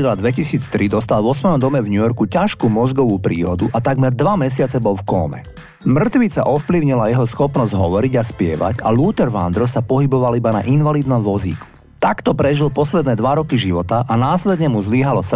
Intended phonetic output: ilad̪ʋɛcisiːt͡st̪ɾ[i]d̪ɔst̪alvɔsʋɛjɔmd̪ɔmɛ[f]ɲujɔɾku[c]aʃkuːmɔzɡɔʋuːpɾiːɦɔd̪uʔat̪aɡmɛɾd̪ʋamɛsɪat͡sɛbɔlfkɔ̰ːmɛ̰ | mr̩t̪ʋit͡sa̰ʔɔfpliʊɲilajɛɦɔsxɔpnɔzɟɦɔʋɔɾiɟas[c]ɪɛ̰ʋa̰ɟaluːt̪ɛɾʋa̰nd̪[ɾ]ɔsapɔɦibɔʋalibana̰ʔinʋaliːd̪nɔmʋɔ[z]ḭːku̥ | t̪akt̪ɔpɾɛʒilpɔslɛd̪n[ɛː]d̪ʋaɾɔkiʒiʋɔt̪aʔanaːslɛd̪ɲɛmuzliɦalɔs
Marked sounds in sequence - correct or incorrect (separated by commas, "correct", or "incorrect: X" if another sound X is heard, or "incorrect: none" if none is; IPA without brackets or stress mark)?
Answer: correct, incorrect: v, correct, incorrect: p, correct, correct, correct